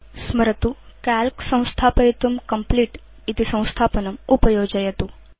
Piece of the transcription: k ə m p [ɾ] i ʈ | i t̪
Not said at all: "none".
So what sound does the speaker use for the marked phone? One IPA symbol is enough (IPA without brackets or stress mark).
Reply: l